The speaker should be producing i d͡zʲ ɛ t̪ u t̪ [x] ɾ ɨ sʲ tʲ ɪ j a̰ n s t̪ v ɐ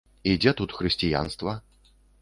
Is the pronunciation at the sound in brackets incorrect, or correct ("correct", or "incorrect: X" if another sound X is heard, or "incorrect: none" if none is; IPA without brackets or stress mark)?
correct